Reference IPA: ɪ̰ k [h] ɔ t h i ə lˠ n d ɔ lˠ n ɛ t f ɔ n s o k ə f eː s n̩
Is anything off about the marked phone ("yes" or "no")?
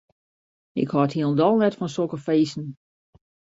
no